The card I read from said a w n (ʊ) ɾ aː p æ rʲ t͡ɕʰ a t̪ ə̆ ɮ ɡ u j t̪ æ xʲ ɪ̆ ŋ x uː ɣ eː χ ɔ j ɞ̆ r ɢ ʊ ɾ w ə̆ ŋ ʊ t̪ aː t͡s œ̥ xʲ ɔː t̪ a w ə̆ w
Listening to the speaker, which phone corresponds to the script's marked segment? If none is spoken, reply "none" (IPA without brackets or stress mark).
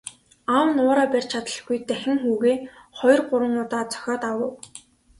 ʊː